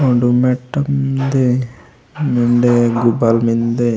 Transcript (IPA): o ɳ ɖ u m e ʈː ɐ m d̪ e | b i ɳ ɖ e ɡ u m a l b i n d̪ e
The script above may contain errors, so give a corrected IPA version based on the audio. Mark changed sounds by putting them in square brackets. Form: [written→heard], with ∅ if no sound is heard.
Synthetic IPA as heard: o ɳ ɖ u m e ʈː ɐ m d̪ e | [b→m] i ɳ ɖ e ɡ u [m→b] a l [b→m] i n d̪ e